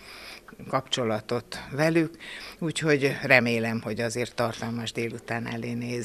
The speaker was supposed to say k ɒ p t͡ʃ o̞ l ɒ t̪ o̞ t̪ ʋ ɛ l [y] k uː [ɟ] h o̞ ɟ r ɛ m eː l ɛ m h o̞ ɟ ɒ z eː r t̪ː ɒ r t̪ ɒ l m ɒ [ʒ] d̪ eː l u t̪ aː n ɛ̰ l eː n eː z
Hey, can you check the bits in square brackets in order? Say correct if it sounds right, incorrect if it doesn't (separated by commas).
correct, incorrect, correct